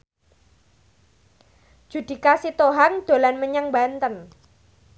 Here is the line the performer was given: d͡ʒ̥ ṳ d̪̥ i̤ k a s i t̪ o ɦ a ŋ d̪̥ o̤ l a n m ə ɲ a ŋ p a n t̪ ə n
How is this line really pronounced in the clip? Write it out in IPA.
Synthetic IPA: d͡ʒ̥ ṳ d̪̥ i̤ k a s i t̪ o ɦ a ŋ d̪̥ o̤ l a n m ə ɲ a ŋ b a n t̪ ə n